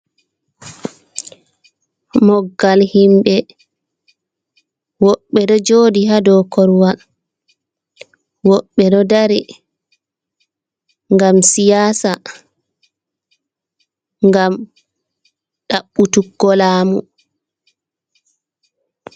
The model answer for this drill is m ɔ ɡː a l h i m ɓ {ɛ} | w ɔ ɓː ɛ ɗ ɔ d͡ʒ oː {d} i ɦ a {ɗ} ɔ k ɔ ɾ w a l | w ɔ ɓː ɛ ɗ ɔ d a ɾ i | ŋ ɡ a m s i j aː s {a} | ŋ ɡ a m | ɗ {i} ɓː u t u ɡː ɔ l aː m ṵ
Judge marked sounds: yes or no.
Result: yes, yes, no, yes, no

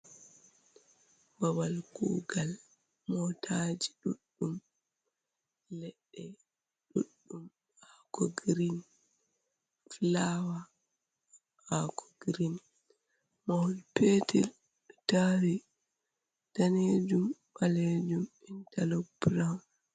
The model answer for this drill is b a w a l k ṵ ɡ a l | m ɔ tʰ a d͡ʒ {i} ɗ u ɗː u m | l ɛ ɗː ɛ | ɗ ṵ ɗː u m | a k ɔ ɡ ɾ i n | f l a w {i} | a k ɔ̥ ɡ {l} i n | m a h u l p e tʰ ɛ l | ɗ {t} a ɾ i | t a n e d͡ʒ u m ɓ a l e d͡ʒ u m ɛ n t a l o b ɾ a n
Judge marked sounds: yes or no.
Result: yes, no, no, yes

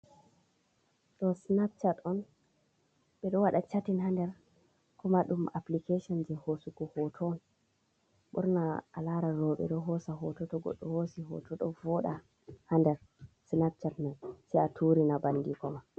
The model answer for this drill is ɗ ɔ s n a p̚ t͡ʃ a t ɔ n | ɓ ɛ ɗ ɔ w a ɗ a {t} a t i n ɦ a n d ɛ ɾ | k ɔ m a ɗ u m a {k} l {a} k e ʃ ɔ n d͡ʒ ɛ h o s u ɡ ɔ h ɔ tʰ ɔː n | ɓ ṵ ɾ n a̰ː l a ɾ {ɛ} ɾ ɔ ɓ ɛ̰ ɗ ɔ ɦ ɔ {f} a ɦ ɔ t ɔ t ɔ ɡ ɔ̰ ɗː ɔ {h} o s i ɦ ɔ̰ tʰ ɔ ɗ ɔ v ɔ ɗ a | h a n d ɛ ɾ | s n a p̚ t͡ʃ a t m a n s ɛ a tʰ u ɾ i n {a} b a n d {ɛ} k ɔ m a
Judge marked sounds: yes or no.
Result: no, no, no, no, no, yes, yes, no

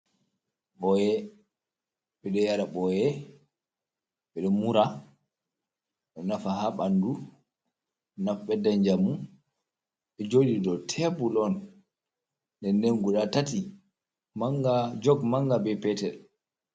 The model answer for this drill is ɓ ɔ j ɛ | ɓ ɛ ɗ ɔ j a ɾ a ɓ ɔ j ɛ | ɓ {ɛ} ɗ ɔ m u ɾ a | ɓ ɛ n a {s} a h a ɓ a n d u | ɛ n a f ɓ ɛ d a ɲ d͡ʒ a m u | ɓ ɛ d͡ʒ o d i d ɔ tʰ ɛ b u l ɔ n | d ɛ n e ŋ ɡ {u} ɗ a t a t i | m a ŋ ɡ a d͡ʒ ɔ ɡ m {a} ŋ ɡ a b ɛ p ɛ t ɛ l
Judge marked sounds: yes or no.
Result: yes, no, yes, yes

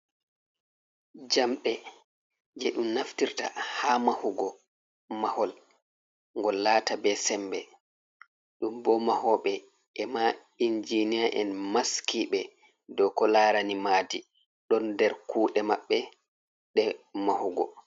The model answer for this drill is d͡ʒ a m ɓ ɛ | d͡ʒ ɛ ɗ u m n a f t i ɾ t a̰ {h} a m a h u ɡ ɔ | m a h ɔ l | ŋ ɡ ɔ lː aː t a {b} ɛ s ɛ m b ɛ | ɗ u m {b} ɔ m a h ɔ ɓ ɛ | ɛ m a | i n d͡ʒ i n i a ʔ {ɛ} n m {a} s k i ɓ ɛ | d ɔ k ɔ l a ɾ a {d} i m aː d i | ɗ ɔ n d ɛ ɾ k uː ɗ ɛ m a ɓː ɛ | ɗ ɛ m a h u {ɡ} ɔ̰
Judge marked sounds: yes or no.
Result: yes, yes, yes, yes, yes, no, yes

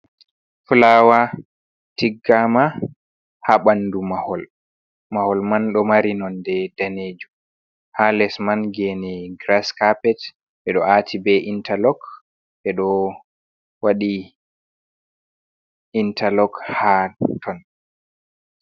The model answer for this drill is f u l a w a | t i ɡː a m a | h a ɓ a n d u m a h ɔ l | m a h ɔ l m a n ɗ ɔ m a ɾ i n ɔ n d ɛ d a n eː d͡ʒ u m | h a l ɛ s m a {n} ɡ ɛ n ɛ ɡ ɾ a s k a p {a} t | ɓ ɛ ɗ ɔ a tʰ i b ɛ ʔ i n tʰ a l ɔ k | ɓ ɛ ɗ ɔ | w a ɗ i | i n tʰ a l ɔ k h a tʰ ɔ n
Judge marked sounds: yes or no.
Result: yes, no

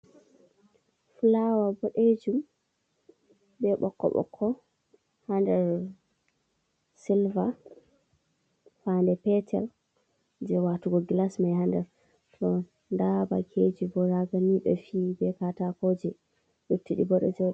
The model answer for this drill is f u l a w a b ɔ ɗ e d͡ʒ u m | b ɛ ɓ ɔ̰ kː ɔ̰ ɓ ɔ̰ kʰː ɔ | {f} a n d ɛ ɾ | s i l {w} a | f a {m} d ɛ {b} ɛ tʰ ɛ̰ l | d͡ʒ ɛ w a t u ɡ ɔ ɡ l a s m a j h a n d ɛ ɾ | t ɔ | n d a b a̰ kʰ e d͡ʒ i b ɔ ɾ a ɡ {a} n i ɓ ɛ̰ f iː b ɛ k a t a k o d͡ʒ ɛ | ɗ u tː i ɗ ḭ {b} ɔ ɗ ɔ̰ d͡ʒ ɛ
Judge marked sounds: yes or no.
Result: no, no, no, no, yes, yes

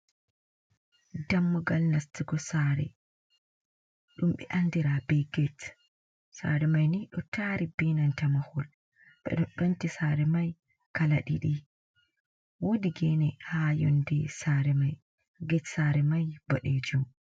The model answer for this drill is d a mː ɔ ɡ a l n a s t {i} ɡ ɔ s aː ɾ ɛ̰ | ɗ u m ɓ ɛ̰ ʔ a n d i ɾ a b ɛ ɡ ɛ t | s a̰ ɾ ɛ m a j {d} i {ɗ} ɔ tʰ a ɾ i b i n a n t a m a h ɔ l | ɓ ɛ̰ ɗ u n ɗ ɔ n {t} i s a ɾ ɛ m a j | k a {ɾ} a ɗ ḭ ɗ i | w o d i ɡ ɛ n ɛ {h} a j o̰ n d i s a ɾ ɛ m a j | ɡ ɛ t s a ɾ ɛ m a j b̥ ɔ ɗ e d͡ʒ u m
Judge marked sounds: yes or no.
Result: yes, no, yes, yes, no, yes

